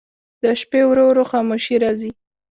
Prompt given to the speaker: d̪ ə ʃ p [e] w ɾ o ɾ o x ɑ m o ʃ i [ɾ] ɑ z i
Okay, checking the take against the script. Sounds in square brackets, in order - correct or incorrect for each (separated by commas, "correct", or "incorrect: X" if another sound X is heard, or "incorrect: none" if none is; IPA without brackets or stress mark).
correct, correct